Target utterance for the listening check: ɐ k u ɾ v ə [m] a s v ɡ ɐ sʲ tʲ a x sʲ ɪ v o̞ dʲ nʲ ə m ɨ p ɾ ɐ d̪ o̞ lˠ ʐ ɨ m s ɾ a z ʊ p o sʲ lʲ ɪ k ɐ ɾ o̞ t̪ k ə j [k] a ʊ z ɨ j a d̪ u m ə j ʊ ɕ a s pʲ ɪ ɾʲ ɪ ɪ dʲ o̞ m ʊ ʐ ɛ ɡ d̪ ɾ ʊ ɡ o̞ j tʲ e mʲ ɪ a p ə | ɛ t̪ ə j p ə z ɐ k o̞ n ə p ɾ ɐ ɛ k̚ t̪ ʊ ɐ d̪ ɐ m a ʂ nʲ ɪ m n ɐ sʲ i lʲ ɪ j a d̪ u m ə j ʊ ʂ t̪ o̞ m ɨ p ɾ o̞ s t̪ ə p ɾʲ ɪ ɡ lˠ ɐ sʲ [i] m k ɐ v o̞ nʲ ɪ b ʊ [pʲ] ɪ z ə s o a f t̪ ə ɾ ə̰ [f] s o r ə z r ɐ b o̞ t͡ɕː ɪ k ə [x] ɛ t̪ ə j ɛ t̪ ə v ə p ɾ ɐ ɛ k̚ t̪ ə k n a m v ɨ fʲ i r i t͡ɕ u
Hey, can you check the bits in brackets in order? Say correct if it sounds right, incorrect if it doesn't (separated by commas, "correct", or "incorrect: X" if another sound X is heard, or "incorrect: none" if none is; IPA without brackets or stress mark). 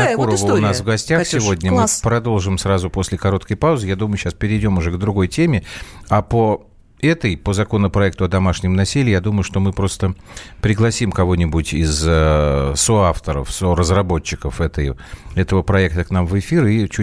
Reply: incorrect: n, incorrect: p, correct, incorrect: tʲ, correct, incorrect: f